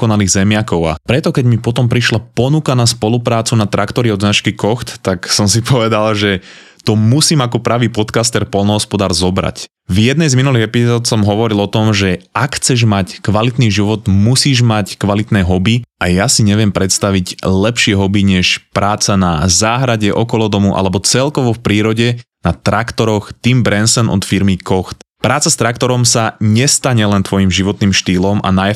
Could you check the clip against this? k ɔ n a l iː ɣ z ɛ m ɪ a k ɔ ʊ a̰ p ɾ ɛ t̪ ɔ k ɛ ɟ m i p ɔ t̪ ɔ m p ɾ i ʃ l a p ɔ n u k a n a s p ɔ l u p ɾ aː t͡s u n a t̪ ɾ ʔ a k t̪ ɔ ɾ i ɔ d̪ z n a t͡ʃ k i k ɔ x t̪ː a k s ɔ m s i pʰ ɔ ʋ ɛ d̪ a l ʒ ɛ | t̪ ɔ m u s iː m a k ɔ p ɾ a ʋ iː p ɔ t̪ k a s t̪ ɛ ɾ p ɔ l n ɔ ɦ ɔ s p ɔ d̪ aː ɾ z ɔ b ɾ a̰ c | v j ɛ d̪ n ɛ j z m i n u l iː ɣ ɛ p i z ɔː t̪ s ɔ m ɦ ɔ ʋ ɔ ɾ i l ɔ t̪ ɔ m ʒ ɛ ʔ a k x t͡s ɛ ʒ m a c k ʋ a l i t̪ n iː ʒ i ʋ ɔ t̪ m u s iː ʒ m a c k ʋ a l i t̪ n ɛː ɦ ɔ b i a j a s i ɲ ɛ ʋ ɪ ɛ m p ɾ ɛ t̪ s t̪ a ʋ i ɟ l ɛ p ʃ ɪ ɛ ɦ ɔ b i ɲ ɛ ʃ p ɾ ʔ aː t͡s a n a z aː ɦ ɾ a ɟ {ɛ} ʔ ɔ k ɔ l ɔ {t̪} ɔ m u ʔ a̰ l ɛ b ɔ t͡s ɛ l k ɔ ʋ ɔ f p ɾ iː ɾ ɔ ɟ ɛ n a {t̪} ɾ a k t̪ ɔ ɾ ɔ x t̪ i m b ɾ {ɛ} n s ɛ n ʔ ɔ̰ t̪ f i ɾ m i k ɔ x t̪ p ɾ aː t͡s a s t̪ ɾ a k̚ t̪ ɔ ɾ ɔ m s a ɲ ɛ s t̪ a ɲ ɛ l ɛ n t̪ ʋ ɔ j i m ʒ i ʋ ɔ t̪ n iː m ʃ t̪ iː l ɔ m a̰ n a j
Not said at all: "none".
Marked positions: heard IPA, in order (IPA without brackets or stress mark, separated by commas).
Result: ɛ, d̪, t̪, ɛ